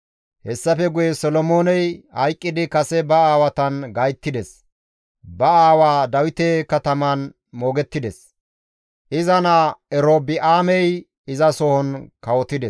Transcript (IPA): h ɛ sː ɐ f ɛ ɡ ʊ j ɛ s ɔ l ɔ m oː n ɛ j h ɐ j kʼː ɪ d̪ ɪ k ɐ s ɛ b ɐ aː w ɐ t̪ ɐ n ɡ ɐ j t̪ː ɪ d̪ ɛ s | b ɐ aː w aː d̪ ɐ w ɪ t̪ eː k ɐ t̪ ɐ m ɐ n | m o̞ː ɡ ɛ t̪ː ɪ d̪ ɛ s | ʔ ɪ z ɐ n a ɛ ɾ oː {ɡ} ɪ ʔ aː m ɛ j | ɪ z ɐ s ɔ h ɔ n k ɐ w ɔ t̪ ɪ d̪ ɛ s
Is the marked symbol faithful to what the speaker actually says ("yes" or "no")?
no